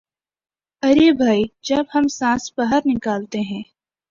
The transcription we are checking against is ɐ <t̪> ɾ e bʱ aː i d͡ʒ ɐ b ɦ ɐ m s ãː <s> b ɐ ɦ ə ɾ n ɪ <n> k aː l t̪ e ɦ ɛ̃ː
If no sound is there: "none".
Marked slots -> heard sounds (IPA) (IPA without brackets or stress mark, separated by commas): none, s, none